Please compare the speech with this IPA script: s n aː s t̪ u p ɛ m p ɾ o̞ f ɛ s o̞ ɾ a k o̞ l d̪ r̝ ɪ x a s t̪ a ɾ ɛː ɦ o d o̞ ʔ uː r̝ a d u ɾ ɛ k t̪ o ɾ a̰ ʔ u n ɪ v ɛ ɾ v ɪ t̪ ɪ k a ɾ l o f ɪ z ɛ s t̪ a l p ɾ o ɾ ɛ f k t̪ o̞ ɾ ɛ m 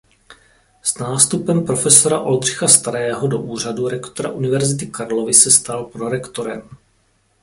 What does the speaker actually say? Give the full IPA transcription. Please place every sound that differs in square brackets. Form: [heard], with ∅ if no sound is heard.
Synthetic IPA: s n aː s t̪ u p ɛ m p ɾ o̞ f ɛ s o̞ ɾ a [ʔ] o̞ l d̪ r̝ ɪ x a s t̪ a ɾ ɛː ɦ o d o̞ ʔ uː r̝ a d u ɾ ɛ k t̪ o ɾ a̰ ʔ u n ɪ v ɛ ɾ [z] ɪ t̪ ɪ k a ɾ l o [v] ɪ [s] ɛ s t̪ a l p ɾ o ɾ ɛ [∅] k t̪ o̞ ɾ ɛ m